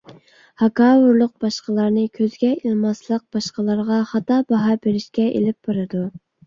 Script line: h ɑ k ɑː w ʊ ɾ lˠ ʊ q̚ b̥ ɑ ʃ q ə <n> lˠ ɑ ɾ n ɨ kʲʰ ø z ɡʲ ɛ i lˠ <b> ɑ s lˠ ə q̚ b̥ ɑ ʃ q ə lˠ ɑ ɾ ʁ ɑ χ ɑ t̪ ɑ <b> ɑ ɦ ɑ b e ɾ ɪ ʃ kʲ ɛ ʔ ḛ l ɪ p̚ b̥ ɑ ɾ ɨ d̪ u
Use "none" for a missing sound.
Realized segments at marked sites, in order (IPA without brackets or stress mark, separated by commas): none, m, b